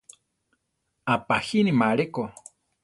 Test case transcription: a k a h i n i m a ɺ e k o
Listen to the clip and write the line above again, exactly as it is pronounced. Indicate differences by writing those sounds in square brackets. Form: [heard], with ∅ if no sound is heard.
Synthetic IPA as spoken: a [p] a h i n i m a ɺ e k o